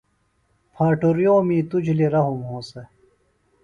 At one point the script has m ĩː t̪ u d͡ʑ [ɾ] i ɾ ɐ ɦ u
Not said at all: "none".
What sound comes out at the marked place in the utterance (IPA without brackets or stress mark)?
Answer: l